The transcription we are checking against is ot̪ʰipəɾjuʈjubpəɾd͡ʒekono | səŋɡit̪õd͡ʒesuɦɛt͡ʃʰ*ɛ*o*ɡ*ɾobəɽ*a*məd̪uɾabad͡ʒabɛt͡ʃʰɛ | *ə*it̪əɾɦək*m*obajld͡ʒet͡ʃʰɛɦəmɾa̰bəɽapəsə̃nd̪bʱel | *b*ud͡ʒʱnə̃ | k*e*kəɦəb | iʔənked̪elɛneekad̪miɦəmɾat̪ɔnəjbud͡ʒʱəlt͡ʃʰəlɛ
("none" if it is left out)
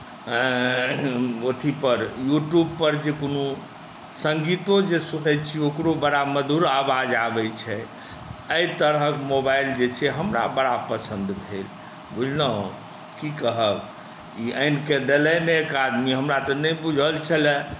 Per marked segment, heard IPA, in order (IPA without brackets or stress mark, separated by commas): i, k, a, ə, m, b, i